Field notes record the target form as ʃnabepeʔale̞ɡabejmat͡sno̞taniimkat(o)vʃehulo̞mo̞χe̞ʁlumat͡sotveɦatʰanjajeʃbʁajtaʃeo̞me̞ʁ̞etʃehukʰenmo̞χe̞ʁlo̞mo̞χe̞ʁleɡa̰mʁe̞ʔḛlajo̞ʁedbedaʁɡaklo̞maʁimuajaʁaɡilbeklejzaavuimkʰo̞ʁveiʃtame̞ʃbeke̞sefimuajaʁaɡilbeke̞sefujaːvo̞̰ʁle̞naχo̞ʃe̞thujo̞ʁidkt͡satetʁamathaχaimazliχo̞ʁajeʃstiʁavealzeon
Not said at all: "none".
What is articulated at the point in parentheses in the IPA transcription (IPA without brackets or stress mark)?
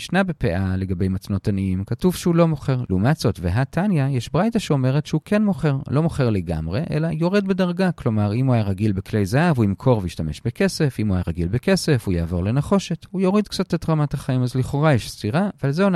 u